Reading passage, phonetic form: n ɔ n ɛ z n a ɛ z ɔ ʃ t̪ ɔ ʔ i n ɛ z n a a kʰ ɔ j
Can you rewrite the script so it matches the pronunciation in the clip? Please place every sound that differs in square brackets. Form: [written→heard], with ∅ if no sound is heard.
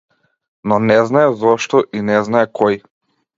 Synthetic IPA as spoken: n ɔ n ɛ z n a ɛ z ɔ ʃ t̪ ɔ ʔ i n ɛ z n a [a→ɛ] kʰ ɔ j